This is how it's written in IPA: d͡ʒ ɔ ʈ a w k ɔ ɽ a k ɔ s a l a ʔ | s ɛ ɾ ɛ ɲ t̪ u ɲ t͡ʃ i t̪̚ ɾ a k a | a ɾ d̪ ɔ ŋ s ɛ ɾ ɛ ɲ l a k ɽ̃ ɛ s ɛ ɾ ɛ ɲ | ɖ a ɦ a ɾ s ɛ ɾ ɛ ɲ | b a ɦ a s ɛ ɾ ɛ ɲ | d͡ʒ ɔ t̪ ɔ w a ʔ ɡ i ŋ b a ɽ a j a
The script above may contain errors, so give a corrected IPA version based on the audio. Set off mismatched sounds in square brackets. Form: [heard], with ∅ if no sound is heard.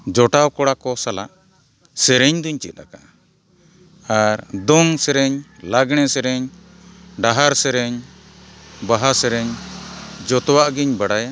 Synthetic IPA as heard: d͡ʒ ɔ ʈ a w k ɔ ɽ a k ɔ s a l a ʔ | s ɛ ɾ ɛ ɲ [d̪] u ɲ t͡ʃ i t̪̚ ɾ a k a | a ɾ d̪ ɔ ŋ s ɛ ɾ ɛ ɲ l a [ɡ] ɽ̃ ɛ s ɛ ɾ ɛ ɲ | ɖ a ɦ a ɾ s ɛ ɾ ɛ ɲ | b a ɦ a s ɛ ɾ ɛ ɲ | d͡ʒ ɔ t̪ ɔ w a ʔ ɡ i [ɲ] b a ɽ a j a